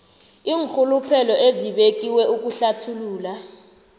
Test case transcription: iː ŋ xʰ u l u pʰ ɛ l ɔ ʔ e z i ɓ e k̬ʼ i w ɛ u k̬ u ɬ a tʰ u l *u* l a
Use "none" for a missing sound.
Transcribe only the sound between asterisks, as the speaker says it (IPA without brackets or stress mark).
uː